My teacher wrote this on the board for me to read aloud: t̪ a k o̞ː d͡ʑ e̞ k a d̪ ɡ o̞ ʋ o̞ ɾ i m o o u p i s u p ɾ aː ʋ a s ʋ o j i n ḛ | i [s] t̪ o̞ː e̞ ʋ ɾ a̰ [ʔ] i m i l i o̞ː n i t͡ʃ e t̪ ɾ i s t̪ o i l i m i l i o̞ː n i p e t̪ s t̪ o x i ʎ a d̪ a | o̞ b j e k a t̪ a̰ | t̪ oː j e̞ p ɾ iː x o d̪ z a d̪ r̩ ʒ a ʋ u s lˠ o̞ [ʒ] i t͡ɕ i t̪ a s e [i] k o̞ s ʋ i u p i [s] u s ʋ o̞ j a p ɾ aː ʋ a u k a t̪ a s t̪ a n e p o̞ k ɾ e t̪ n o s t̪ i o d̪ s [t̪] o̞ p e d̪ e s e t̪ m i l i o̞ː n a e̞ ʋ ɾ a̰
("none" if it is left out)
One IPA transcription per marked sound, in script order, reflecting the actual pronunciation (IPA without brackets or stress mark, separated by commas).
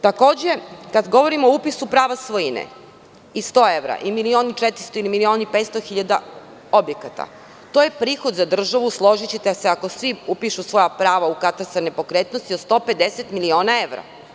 s, ʔ, ʒ, a, ʃ, t̪